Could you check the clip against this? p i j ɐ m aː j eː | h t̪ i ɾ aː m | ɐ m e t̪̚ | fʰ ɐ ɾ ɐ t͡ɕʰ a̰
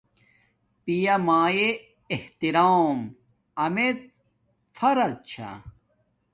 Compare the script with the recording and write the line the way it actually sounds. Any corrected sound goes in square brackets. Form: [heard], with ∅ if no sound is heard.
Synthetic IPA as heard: p i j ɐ m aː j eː | h t̪ i ɾ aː m | ɐ m e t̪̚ | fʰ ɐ ɾ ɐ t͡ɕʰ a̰

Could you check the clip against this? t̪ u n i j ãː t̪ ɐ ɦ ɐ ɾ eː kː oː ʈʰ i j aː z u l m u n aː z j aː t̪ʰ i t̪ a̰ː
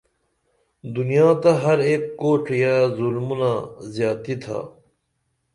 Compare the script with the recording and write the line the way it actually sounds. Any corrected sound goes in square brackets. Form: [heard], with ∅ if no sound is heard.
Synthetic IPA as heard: [d̪] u n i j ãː t̪ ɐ ɦ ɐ ɾ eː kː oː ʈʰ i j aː z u l m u n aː z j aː [t̪] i [t̪ʰ] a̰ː

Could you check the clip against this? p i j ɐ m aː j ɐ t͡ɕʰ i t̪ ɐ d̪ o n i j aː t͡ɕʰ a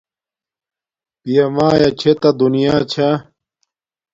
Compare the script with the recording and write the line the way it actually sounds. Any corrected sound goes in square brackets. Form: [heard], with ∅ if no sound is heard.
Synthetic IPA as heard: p i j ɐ m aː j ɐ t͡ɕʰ [e] t̪ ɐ d̪ [u] n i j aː t͡ɕʰ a

